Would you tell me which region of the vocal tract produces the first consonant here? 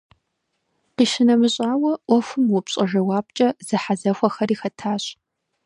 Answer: uvula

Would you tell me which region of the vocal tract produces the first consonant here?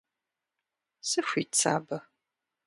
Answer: tongue tip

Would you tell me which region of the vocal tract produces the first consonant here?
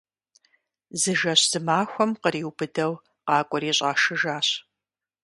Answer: tongue tip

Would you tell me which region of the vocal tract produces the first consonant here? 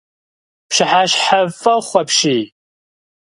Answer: lips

